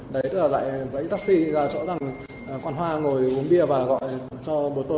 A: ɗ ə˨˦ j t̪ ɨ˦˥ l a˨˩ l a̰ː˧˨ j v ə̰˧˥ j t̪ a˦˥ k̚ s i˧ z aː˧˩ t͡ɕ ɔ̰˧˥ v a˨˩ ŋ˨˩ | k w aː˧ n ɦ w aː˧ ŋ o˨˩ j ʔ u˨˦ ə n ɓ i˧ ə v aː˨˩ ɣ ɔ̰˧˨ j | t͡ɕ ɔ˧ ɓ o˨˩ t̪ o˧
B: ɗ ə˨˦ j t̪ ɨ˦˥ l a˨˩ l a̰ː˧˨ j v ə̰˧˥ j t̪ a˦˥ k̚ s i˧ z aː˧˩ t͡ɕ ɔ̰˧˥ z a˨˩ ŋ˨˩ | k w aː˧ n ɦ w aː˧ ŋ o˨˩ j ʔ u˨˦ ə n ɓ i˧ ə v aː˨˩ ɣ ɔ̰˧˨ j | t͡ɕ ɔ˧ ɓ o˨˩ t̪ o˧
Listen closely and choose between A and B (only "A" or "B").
B